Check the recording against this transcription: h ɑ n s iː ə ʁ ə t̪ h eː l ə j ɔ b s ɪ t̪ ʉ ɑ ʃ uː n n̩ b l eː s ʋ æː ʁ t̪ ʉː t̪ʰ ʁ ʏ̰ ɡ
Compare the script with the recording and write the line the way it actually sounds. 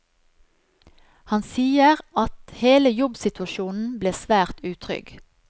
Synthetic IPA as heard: h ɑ n s iː ə ʁ ɑ t̪ h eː l ə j ɔ b s ɪ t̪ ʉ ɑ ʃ uː n n̩ b l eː s ʋ æː ʁ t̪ ʉː t̪ʰ ʁ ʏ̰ ɡ